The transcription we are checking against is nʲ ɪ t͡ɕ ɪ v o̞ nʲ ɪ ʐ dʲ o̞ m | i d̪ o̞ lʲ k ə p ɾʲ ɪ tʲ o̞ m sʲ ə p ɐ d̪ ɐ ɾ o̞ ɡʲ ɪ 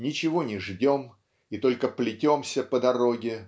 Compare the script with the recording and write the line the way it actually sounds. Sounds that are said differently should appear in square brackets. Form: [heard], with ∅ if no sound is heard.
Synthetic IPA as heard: nʲ ɪ t͡ɕ ɪ v o̞ nʲ ɪ ʐ dʲ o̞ m | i [t̪] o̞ lʲ k ə p [lʲ] ɪ tʲ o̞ m sʲ ə p [ə] d̪ ɐ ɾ o̞ ɡʲ ɪ